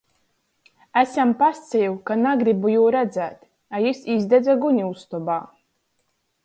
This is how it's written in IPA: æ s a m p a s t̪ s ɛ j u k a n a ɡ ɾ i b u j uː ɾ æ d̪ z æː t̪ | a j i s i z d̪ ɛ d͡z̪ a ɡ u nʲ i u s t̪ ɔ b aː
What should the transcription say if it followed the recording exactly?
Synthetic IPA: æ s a m p a s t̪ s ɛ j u k a n a ɡ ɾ i b u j uː ɾ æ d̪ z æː t̪ | a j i s i z d̪ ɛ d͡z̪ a ɡ u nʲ i u s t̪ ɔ b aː